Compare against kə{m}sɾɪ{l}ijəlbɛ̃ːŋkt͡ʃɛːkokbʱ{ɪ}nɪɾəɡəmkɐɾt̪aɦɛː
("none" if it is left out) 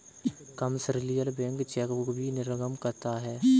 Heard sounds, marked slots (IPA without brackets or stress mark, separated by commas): m, l, i